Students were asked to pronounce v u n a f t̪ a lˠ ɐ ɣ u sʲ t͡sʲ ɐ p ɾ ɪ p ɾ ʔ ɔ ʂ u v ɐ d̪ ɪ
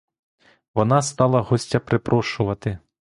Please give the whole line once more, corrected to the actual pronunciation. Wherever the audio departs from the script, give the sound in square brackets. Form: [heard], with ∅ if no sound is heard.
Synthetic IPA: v [ɔ] n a [s] t̪ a lˠ ɐ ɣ [ɔ] sʲ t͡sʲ ɐ p ɾ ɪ p ɾ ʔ ɔ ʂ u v ɐ [t̪] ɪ